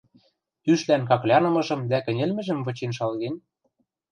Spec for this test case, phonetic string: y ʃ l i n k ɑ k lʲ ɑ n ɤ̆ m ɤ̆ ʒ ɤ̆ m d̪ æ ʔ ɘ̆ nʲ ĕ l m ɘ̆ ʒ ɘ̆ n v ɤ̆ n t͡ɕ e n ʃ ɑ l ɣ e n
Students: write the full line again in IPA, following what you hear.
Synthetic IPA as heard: y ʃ l æ n k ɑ k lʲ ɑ n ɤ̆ m ɤ̆ ʒ ɤ̆ m d̪ æ k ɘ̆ nʲ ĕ l m ɘ̆ ʒ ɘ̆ m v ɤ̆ t͡ɕ e n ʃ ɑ l ɣ e n